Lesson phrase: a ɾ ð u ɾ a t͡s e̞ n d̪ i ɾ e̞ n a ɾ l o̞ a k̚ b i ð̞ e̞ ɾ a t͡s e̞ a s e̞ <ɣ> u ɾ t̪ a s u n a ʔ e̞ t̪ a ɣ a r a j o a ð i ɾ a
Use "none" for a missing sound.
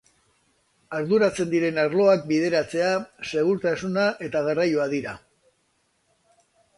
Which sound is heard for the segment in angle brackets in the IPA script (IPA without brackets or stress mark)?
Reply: ɣ